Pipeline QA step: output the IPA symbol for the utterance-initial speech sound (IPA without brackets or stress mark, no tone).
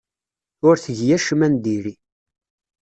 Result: ʊ